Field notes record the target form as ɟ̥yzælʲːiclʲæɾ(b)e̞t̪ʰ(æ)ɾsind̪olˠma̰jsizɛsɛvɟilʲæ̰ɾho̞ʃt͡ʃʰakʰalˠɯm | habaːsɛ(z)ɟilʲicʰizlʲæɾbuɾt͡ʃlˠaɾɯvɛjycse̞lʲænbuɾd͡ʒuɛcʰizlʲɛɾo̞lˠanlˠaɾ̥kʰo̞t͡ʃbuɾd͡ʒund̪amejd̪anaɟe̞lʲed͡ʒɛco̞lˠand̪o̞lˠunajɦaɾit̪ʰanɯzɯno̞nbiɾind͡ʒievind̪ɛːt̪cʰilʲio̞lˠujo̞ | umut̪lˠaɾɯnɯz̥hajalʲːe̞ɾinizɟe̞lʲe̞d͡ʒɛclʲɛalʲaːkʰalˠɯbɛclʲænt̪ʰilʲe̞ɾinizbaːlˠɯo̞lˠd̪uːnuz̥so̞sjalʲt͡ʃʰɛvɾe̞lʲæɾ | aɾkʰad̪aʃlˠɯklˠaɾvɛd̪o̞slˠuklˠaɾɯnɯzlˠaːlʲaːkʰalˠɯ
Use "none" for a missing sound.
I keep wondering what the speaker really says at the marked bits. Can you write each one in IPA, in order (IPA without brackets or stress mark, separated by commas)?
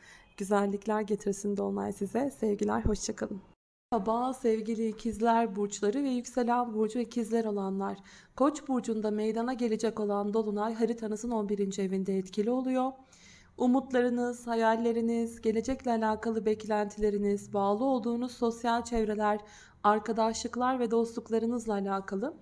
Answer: ɟ, i, v